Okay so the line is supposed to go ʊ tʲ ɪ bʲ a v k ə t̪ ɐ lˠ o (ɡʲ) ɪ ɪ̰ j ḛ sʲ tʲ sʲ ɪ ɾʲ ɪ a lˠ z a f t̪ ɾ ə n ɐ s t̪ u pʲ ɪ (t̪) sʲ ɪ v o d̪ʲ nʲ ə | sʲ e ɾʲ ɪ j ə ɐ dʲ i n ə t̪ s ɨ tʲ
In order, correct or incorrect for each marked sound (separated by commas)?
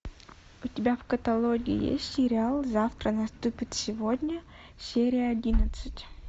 correct, correct